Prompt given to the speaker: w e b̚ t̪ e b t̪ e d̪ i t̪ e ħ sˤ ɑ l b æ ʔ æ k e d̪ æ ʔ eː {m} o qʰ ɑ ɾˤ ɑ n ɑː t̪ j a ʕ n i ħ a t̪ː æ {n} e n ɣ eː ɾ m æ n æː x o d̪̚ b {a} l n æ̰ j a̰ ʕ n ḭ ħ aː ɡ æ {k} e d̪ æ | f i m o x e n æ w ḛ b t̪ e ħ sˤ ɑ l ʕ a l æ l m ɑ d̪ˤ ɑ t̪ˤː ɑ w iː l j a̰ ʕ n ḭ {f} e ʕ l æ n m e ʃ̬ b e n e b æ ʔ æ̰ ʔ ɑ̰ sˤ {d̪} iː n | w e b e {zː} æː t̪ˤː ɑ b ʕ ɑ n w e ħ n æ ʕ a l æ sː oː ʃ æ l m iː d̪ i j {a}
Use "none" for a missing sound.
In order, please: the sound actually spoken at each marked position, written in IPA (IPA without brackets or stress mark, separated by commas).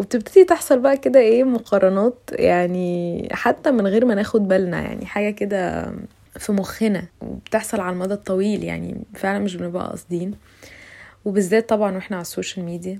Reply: m, m, æ, k, f, d̪, zː, æ